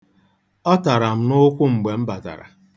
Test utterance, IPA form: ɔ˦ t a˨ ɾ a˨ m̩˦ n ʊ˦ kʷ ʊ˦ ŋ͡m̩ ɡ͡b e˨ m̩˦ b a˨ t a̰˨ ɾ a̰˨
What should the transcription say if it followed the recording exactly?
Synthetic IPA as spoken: ɔ˦ t a˨ ɾ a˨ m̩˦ n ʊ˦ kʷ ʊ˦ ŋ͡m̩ ɡ͡b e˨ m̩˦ b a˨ t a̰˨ ɾ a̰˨